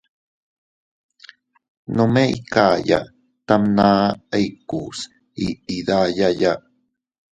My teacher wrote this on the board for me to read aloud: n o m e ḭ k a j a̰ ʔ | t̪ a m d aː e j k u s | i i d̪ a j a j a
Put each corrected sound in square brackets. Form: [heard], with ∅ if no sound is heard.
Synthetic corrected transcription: n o m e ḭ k a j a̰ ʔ | t̪ a m [n] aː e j k u s | i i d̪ a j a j a